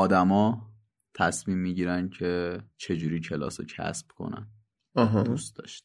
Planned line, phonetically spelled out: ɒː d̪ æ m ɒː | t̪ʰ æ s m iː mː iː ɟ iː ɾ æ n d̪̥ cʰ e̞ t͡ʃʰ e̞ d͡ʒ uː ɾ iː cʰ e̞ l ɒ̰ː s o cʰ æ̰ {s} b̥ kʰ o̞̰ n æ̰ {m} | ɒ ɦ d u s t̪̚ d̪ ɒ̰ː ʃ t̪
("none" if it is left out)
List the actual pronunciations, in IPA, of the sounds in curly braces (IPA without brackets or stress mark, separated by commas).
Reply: s, n